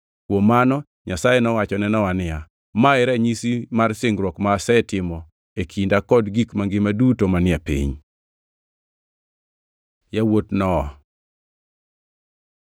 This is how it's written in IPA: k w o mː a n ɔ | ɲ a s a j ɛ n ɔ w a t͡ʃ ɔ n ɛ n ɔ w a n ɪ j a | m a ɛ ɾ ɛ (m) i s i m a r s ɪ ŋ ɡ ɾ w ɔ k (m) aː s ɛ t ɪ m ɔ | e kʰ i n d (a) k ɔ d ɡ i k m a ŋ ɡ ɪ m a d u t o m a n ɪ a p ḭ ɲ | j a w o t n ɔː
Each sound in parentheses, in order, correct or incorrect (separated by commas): incorrect, correct, correct